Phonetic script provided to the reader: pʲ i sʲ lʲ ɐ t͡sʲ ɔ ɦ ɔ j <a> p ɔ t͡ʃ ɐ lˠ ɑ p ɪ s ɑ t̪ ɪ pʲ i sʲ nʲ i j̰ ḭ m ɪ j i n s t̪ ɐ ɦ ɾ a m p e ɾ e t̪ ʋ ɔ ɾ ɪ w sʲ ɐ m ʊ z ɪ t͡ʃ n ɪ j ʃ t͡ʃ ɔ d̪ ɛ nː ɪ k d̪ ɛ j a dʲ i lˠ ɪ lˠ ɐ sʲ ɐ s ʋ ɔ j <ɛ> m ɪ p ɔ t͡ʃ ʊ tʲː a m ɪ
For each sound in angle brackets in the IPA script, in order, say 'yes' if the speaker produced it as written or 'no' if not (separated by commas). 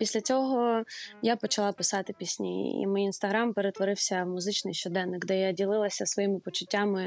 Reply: yes, no